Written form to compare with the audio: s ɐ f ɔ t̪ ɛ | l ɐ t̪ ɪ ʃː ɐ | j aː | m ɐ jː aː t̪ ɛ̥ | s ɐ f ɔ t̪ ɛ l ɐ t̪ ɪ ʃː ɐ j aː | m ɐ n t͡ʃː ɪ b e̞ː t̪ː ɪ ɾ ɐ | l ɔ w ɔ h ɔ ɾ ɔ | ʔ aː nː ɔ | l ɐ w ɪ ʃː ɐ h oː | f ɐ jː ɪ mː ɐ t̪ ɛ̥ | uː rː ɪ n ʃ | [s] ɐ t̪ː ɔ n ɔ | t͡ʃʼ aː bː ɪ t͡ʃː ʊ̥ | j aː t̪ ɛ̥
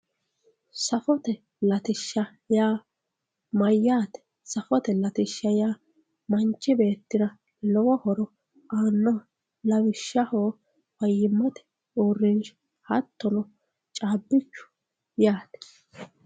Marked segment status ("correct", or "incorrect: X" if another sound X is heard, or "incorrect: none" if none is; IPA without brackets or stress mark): incorrect: h